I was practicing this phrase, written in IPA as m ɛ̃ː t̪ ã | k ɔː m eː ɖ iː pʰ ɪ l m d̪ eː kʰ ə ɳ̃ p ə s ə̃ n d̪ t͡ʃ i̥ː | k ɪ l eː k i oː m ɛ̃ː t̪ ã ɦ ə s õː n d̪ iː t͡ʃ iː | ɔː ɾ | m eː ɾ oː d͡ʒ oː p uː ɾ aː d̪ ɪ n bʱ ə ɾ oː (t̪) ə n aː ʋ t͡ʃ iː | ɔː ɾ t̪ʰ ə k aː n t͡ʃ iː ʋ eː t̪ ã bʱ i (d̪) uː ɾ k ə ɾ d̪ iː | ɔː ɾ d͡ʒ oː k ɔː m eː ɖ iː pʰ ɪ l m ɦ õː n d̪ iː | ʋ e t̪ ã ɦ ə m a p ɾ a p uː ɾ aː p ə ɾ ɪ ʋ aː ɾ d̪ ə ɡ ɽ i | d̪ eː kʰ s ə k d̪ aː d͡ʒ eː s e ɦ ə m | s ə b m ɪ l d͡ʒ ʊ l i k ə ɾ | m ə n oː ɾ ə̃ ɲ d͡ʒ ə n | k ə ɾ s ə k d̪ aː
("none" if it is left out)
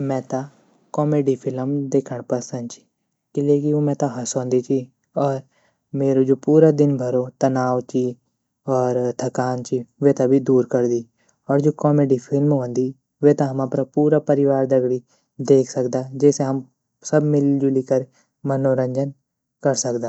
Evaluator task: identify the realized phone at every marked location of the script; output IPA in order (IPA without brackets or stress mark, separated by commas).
t̪, d̪